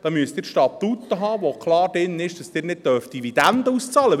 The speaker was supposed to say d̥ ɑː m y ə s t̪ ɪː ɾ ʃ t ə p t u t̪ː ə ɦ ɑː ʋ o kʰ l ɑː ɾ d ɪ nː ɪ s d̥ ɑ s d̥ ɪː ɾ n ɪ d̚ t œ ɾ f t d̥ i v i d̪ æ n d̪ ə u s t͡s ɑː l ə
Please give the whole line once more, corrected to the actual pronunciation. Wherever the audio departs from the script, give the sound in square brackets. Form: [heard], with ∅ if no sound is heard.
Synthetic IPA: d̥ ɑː m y ə s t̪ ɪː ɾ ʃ t [ɑ] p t u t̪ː ə ɦ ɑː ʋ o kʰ l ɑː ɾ d ɪ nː ɪ [ʃ] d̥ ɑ s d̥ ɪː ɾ n ɪ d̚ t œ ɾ f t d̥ i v i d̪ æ n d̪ ə u s t͡s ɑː l ə